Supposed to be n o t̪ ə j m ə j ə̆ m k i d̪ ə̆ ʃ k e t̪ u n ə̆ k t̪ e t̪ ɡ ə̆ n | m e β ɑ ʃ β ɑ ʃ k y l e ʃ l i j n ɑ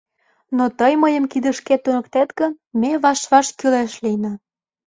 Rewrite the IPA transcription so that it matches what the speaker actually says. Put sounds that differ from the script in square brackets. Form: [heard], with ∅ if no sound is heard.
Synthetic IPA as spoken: n o t̪ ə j m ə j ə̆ m k i d̪ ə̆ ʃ k e t̪ u n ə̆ k t̪ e t̪ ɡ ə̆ n | m e β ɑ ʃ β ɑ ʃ k y l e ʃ l i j n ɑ